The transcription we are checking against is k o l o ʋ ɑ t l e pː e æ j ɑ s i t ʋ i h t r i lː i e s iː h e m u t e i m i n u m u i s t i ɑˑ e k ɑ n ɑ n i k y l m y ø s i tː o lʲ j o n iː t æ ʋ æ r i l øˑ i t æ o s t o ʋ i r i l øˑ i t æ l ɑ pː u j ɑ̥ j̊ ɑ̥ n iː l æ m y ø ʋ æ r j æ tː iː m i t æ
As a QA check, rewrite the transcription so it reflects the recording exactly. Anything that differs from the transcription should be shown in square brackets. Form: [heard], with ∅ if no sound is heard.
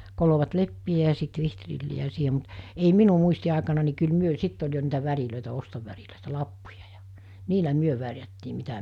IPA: k o l o ʋ ɑ t l e pː [i] æ j ɑ s i t ʋ i h t r i lː i [æ] s iː h e m u t e i m i n u m u i s t i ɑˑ e k ɑ n ɑ n i k y l m y ø s i tː o lʲ j o n iː t æ ʋ æ r i l øˑ i t æ o s t o ʋ [æ] r i l øˑ i t æ l ɑ pː u j ɑ̥ j̊ ɑ̥ n iː l æ m y ø ʋ æ r j æ tː iː m i t æ

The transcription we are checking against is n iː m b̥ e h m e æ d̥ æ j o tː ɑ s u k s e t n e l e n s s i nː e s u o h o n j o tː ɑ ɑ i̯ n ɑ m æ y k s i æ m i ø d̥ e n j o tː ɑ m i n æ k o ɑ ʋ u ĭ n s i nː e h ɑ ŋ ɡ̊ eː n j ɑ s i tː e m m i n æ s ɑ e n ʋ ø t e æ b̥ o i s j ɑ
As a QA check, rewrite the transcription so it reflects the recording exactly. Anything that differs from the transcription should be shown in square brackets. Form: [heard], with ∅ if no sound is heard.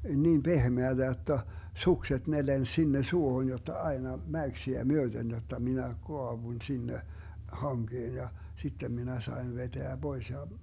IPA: n iː m b̥ e h m e æ d̥ æ j o tː ɑ s u k s e t n e l e n s s i nː e s u o h o n j o tː ɑ ɑ i̯ n ɑ m æ y k s i æ m [y] ø d̥ e n j o tː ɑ m i n æ k o ɑ ʋ u ĭ n s i nː e h ɑ ŋ ɡ̊ eː n j ɑ s i tː e m m i n æ s ɑ e n ʋ [e] t e æ b̥ o i s j ɑ

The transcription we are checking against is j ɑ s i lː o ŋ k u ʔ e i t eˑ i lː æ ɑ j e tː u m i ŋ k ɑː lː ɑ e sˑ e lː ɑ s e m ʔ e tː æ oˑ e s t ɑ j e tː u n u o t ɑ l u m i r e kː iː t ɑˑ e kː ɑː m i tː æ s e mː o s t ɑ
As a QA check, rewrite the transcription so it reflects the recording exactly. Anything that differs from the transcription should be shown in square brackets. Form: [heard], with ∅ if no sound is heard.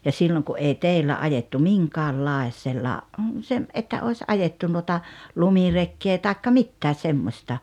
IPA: j ɑ s i lː o ŋ k u ʔ e i t eˑ i lː æ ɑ j e tː u m i ŋ k ɑː lː ɑ e sˑ e lː ɑ s e m ʔ e tː æ oˑ e s [ʔ] ɑ j e tː u n u o t ɑ l u m i r e kː [eː] t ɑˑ e kː [ɑ] m i tː [æː] s e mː o s t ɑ

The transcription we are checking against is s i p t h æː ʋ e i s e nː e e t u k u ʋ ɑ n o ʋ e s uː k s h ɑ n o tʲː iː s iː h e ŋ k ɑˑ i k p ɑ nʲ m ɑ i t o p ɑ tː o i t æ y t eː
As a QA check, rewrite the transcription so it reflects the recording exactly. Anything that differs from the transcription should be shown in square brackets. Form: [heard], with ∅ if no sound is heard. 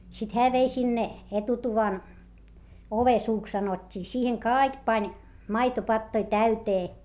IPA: s i [∅] t h æː ʋ e i s [i] nː e e t u [t] u ʋ ɑ n o ʋ e s uː k s [s] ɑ n o tʲː iː s iː h e ŋ k ɑˑ i k p ɑ nʲ m ɑ i t o p ɑ tː o i t æ y t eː

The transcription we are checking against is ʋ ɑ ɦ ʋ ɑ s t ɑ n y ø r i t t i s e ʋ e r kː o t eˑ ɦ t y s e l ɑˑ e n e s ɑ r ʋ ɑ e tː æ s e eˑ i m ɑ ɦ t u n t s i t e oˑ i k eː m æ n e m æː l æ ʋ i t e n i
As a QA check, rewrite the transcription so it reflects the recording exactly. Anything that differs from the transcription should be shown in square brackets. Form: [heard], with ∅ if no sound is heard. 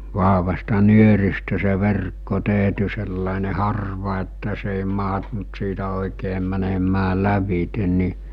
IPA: ʋ ɑ ɦ ʋ ɑ s t ɑ n y ø r i [s] t [æ] s e ʋ e r kː o t eˑ ɦ t y s e [lː] ɑˑ e n e [h] ɑ r ʋ ɑ e tː æ s e eˑ i m ɑ ɦ t u n t s [iː] t [æ] oˑ i k eː m æ n e m æː l æ ʋ i t e n i

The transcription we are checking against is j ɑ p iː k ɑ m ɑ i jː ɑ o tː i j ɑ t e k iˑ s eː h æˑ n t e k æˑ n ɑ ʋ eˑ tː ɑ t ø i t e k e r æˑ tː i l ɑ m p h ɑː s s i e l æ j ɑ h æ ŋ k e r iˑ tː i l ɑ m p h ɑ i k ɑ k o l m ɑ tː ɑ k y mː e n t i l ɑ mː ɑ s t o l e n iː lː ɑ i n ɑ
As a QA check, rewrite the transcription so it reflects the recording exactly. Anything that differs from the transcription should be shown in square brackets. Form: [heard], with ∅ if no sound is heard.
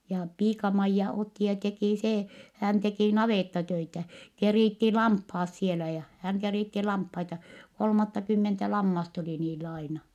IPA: j ɑ p iː k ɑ m ɑ i jː ɑ o tː i j ɑ t e k iˑ s eː h æˑ n t e k [iˑ] n ɑ ʋ eˑ tː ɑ t ø i t [æ] k e r [iˑ] tː i l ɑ m p h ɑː s s i e l æ j ɑ h æ ŋ k e r iˑ tː i l ɑ m p h ɑ i [t] ɑ k o l m ɑ tː ɑ k y mː e n t [æ] l ɑ mː ɑ s t o l [i] n iː lː ɑ i n ɑ

